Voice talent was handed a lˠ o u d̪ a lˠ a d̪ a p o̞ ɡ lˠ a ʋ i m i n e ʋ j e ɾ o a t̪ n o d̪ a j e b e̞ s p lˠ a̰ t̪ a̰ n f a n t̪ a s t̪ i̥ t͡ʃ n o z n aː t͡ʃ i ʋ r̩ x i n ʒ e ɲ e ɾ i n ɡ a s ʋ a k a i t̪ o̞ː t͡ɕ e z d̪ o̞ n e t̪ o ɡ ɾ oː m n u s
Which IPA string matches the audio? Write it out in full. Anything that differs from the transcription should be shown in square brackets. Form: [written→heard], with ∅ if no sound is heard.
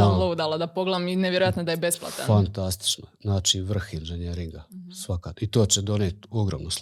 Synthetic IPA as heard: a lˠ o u d̪ a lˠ a d̪ a p o̞ ɡ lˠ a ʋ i m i n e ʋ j e ɾ o a t̪ n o d̪ a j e b e̞ s p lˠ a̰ t̪ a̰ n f a n t̪ a s t̪ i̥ t͡ʃ n o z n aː t͡ʃ i ʋ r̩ x i n ʒ e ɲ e ɾ i [n→ŋ] ɡ a s ʋ a k a i t̪ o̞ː t͡ɕ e [z→∅] d̪ o̞ n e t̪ o ɡ ɾ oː m n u s